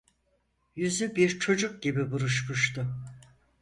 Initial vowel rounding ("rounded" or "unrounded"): rounded